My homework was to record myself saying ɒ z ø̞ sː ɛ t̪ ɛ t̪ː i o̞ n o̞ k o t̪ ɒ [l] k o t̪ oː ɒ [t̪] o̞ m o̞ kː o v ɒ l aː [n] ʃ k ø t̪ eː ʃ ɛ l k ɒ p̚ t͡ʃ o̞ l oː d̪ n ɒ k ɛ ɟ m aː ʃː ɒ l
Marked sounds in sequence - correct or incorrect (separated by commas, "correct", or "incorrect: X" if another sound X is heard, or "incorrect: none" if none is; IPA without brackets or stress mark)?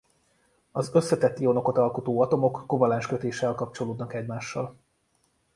correct, correct, correct